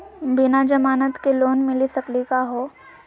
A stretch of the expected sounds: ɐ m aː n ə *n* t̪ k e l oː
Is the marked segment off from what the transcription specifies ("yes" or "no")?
yes